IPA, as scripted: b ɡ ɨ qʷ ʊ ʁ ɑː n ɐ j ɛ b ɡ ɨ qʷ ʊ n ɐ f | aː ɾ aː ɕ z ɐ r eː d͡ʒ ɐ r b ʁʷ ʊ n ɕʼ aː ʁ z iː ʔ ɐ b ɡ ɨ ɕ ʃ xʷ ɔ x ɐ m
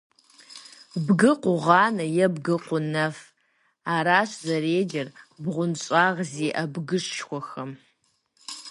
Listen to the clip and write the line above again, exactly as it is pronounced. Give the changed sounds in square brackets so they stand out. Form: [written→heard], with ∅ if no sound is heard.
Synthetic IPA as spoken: b ɡ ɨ qʷ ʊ ʁ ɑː n ɐ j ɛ b ɡ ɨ qʷ ʊ n ɐ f | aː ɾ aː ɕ z ɐ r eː d͡ʒ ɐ r b ʁʷ ʊ n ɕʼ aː ʁ z iː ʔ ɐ b ɡ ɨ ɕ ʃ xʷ ɔ x ɐ m